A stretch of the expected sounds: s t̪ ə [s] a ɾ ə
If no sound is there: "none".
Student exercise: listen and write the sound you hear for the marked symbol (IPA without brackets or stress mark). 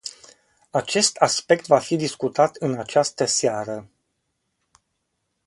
s